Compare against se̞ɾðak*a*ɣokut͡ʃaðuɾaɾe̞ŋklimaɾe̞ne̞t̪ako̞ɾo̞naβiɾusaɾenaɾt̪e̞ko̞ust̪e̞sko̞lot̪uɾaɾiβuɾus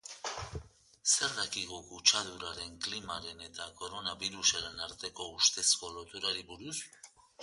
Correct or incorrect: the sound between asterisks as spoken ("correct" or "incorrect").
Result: incorrect